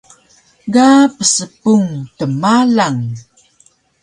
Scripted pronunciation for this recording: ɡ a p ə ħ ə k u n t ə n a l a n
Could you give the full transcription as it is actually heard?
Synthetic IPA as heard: ɡ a p ə s ə p u ŋ t ə m a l a ŋ